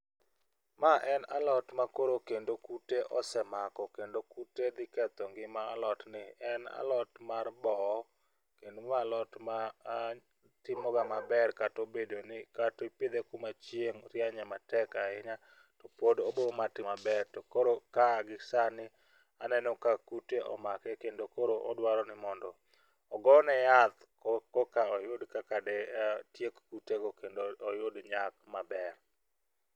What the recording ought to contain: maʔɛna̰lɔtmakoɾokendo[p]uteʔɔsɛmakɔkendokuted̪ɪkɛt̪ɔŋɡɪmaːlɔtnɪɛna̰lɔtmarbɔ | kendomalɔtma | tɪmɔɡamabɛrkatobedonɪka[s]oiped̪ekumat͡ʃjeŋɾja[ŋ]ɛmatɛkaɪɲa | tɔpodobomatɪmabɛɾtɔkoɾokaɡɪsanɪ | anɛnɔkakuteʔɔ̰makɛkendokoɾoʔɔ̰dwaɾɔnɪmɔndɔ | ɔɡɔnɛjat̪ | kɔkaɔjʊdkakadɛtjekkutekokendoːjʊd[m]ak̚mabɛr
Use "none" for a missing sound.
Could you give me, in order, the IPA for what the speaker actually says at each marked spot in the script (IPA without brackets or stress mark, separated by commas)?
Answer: k, t, ɲ, ɲ